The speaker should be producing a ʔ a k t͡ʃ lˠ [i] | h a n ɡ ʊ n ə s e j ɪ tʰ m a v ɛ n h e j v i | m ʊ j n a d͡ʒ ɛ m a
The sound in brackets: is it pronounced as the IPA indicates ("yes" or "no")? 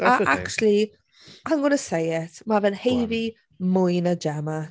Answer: yes